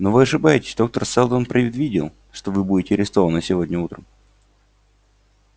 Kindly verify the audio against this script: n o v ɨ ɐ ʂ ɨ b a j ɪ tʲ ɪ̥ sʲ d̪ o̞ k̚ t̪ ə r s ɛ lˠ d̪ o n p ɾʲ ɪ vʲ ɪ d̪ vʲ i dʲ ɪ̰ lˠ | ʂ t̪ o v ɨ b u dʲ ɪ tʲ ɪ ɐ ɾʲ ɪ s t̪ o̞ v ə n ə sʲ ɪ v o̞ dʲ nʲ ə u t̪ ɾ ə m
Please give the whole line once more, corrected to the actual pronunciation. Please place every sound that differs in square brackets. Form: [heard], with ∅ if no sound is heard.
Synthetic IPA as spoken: n o v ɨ ɐ ʂ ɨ b a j ɪ tʲ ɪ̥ sʲ d̪ o̞ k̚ t̪ ə r s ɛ lˠ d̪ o n p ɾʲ ɪ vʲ ɪ d̪ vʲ i dʲ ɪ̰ lˠ | ʂ t̪ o v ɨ b u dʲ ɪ tʲ ɪ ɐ ɾʲ ɪ s t̪ o̞ v ə n ə sʲ ɪ v o̞ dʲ nʲ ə u t̪ ɾ ə m